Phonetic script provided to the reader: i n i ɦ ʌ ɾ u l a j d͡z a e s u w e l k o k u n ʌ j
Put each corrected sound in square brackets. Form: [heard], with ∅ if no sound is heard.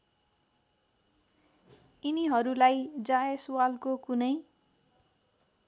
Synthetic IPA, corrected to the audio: i n i ɦ ʌ ɾ u l a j d͡z a e s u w [a] l k o k u n ʌ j